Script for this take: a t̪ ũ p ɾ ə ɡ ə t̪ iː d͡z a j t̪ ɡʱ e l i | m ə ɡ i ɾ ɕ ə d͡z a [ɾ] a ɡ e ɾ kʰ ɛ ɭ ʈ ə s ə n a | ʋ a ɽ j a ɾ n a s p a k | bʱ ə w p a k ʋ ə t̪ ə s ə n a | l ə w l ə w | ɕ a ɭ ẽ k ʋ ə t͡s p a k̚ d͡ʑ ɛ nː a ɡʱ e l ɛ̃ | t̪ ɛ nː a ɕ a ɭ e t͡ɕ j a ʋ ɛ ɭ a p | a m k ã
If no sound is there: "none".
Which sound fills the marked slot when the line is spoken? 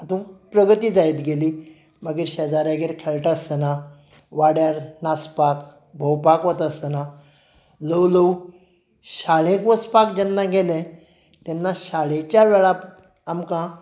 ɾ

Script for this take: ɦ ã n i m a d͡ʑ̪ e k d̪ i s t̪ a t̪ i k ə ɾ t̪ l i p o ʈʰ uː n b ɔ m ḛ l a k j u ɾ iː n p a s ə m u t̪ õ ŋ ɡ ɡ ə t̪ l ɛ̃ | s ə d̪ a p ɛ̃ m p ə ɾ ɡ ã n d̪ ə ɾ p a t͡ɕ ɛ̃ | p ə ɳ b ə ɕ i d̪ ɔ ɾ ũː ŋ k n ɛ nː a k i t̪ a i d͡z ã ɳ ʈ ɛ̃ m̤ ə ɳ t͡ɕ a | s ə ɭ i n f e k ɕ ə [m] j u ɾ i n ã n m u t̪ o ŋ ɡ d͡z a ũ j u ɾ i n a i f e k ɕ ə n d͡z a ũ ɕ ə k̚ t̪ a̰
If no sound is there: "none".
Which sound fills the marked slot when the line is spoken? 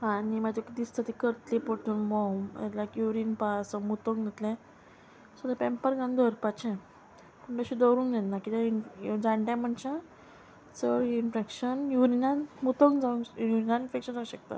n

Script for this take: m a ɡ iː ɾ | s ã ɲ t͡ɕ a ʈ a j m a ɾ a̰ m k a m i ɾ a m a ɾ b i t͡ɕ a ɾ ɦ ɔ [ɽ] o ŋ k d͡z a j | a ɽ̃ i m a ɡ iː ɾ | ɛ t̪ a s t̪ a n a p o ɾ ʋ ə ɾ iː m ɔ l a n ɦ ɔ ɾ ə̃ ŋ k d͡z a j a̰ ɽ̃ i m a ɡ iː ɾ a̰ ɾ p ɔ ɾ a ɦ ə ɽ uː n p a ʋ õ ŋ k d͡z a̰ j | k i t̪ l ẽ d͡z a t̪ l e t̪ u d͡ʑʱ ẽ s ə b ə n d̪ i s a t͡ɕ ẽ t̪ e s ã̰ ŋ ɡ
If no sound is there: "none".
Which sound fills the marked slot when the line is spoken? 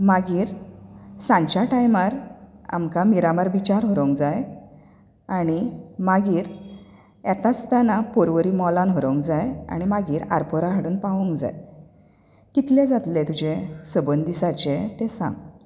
ɾ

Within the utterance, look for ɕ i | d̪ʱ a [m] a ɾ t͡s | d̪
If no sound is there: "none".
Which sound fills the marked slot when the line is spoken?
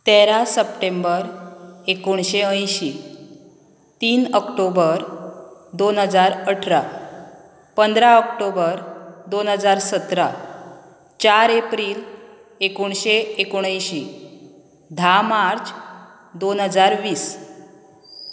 m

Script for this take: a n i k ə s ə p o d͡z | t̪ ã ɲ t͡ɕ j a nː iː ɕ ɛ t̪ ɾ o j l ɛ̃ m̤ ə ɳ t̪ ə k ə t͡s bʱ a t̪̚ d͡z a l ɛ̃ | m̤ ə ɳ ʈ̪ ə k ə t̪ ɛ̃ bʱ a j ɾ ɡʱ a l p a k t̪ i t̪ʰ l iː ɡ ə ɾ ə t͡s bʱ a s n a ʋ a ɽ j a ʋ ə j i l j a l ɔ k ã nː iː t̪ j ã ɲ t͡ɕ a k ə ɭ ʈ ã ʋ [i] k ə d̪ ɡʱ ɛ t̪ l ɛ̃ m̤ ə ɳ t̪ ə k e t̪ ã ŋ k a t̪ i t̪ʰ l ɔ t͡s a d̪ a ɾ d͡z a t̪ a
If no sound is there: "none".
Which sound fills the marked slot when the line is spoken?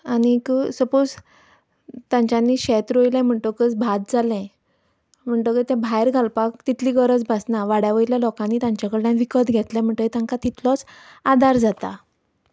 i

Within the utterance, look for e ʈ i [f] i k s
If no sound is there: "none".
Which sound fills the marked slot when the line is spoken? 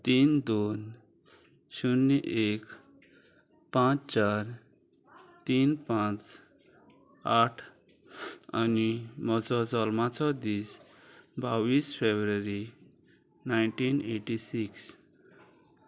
s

